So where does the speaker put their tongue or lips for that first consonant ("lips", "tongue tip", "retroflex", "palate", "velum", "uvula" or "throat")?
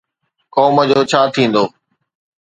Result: velum